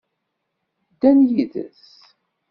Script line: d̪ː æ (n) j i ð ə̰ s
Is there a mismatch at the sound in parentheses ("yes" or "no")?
no